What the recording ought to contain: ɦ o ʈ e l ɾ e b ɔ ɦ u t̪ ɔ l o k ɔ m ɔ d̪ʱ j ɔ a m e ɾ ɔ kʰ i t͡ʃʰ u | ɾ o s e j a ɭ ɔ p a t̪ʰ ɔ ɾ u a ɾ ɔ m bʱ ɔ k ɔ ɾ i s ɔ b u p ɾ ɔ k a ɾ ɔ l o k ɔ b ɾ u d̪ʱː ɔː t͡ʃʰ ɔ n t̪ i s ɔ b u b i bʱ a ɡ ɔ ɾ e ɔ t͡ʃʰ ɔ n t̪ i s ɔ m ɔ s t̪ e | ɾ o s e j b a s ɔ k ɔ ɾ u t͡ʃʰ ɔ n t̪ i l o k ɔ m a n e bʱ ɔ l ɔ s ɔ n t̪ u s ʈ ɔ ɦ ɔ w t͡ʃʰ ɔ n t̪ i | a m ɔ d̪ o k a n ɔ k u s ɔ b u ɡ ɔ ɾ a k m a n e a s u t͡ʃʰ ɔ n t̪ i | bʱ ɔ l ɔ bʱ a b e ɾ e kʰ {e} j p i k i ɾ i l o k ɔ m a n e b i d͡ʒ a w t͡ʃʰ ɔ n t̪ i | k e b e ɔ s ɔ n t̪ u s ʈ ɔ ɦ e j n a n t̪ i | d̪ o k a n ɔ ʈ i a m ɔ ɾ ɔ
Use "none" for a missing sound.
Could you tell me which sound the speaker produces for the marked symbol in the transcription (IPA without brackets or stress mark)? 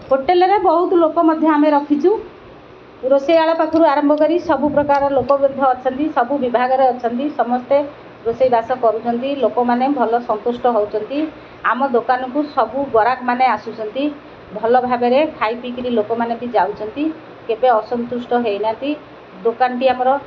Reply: a